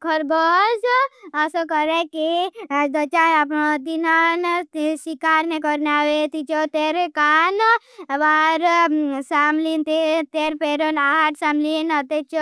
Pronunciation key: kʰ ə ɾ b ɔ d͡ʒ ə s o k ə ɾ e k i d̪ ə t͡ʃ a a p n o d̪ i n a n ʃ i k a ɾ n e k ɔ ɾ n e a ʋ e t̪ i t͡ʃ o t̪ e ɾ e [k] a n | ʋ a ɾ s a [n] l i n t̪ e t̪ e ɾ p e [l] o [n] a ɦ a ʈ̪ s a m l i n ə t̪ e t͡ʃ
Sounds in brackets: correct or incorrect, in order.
correct, incorrect: m, incorrect: ɾ, correct

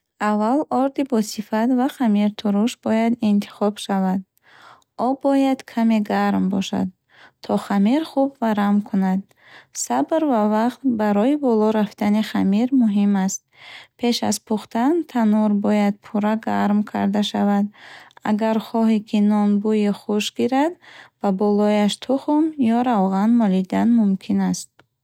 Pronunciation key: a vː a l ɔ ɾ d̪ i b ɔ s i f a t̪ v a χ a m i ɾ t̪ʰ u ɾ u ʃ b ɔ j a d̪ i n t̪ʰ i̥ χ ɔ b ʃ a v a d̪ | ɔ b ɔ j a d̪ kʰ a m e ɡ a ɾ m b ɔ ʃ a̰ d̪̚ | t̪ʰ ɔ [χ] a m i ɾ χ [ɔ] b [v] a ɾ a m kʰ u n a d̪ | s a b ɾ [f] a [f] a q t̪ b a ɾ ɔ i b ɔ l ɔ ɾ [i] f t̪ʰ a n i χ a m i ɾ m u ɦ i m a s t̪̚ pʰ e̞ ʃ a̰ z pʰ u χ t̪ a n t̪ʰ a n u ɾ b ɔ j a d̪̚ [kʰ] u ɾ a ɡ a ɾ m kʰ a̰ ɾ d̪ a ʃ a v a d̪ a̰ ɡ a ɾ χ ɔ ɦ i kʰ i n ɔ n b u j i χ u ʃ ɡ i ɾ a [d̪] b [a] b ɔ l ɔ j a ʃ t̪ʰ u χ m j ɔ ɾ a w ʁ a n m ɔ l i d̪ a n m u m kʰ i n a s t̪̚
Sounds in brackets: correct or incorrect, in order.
correct, incorrect: u, correct, incorrect: v, incorrect: v, incorrect: a, incorrect: pʰ, correct, correct

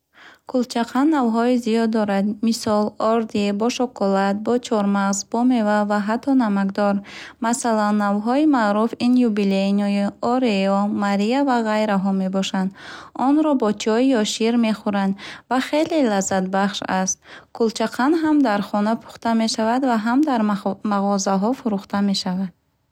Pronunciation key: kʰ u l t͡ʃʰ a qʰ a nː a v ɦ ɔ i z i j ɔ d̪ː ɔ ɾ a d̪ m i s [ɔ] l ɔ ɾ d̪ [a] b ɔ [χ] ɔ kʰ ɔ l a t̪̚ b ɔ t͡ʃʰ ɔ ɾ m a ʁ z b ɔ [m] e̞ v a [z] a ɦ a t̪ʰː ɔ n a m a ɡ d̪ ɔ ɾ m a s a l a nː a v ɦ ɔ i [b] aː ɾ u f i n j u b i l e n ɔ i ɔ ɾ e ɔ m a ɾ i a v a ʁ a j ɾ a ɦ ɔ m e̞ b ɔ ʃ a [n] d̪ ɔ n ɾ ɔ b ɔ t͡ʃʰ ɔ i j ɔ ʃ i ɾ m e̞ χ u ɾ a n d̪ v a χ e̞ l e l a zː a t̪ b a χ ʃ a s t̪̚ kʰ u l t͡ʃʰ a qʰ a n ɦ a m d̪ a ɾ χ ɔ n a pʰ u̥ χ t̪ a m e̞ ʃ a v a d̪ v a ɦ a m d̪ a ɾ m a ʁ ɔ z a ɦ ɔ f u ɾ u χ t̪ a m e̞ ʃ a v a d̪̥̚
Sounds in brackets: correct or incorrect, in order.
correct, incorrect: i, incorrect: ʃ, correct, incorrect: v, incorrect: m, correct

